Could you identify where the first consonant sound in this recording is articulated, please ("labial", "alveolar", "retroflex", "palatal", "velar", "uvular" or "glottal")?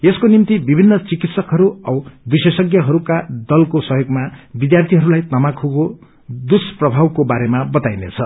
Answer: alveolar